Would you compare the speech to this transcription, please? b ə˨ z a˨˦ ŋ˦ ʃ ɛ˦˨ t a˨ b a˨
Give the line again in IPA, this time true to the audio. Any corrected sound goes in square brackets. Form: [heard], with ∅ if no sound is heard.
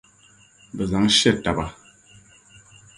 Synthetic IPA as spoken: b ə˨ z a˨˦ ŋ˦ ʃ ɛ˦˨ t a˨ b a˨